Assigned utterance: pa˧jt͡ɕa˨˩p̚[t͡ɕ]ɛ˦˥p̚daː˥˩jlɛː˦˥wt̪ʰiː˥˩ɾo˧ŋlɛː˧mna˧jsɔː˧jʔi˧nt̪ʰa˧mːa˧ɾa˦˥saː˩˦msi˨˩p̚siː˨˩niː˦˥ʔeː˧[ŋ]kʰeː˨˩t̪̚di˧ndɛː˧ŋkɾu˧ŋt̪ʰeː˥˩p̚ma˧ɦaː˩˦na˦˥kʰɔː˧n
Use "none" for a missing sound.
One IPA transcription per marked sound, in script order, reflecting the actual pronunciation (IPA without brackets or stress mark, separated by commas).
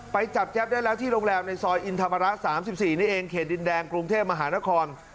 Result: t͡ɕ, ŋ